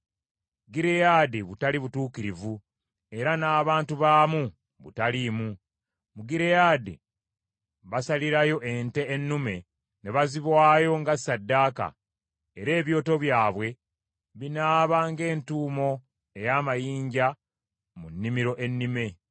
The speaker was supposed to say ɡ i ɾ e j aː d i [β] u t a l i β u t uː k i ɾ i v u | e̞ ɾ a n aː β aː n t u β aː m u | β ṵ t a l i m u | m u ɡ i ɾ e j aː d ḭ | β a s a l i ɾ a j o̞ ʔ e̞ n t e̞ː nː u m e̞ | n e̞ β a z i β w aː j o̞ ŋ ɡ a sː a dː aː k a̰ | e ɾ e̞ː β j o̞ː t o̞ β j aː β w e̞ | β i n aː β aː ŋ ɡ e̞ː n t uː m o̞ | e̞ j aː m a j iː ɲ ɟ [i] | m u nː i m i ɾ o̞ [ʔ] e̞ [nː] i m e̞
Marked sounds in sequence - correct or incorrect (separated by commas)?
correct, incorrect, correct, correct